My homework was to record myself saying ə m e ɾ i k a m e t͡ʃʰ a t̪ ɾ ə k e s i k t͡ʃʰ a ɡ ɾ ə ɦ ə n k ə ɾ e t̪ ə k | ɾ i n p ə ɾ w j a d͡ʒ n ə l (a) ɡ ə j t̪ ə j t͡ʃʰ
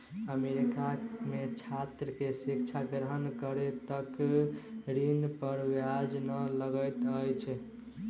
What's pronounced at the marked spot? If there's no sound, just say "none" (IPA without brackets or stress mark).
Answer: ə